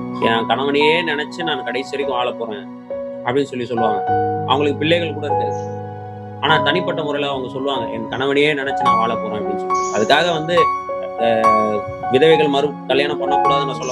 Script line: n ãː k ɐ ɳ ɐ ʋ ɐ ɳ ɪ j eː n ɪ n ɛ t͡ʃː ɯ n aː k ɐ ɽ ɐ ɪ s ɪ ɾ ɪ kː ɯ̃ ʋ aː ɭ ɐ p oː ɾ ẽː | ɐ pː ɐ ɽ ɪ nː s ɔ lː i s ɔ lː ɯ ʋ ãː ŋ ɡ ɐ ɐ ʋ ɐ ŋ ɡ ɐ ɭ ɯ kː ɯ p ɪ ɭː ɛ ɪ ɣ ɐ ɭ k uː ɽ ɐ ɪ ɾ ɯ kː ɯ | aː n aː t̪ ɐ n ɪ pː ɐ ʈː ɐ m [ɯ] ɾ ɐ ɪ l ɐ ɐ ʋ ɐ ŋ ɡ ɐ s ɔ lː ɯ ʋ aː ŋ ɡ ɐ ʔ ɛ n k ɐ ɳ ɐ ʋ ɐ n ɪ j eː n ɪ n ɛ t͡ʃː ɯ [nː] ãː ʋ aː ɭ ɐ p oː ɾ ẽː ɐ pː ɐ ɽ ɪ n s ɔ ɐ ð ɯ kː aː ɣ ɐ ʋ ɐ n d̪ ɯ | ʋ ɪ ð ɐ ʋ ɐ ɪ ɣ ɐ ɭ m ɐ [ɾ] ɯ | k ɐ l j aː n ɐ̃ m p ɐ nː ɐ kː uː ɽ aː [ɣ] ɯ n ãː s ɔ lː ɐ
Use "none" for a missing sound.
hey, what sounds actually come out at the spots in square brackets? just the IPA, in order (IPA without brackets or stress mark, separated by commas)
ʊ, n, ɾ, ð